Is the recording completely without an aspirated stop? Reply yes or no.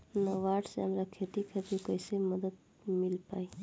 no